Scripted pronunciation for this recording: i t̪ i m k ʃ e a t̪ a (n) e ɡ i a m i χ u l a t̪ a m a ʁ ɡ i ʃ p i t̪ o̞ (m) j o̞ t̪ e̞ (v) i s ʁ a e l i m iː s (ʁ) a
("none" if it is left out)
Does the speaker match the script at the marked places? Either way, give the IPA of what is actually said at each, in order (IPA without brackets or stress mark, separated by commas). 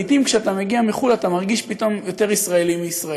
m, m, ʁ, ʁ